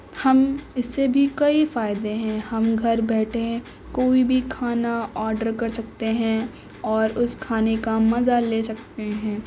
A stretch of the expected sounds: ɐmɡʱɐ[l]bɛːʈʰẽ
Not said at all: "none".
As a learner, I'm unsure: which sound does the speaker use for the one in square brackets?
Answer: ɾ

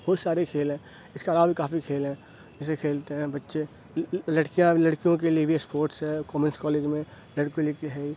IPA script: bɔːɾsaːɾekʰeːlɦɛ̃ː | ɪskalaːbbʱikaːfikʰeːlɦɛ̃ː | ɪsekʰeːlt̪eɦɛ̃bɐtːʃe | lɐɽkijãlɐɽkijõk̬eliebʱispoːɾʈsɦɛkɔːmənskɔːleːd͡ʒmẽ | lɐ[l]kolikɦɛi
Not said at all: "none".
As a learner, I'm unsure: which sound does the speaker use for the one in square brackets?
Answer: ɽ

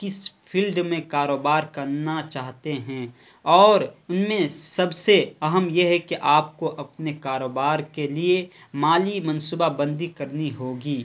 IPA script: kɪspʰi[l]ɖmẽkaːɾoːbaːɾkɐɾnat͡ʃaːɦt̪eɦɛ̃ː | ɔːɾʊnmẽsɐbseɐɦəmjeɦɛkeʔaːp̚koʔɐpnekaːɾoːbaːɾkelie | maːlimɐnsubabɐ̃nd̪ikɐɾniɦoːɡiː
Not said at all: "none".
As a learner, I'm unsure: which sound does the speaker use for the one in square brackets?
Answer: l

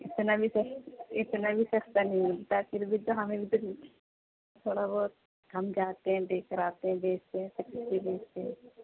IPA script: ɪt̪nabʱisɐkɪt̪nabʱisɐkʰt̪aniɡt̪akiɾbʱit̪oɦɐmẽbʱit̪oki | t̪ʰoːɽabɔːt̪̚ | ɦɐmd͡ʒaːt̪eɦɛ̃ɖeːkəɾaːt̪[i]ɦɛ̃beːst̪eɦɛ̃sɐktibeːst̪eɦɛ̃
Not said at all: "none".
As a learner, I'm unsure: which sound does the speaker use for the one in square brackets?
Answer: e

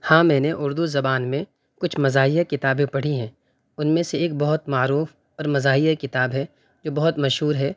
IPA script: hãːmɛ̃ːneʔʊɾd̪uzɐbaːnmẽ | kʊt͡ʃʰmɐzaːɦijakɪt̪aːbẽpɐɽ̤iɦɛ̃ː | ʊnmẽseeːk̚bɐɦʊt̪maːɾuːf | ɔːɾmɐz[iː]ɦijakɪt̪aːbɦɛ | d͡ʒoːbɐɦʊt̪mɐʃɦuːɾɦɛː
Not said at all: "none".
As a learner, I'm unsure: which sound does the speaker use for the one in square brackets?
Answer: aː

